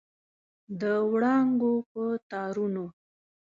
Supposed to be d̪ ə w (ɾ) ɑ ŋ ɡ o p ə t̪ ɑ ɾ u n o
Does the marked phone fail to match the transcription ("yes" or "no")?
yes